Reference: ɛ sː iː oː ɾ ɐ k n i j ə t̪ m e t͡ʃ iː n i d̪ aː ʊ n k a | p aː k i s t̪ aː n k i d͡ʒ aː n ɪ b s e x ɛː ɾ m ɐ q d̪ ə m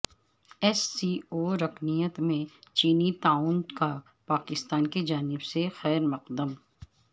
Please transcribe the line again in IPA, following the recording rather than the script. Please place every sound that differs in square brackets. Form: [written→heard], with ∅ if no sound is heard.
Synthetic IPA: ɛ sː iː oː ɾ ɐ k n i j ə t̪ m [e→ẽ] t͡ʃ iː n i [d̪→t̪] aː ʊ n k a | p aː k [i→ɪ] s t̪ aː n k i d͡ʒ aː n ɪ b s e x ɛː ɾ m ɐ q d̪ ə m